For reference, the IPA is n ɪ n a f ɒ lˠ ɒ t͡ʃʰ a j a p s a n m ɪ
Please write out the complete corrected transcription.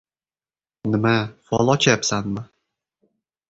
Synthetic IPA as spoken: n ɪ m a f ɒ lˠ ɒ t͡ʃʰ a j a p s a n m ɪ